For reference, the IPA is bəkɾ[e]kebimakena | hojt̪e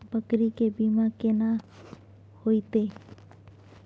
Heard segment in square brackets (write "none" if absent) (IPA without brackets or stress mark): i